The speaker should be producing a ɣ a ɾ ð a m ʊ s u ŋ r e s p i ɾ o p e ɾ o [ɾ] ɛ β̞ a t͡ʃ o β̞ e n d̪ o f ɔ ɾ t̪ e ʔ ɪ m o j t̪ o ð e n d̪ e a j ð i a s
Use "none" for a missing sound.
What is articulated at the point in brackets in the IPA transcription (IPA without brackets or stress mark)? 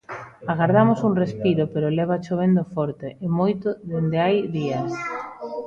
l